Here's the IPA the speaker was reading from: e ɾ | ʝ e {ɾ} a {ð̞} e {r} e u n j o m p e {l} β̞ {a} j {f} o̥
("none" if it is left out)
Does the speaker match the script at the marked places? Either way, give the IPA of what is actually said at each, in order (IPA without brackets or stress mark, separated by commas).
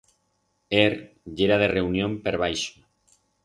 ɾ, ð̞, r, ɾ, a, ʃ